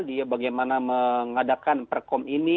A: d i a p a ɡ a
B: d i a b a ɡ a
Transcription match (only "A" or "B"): B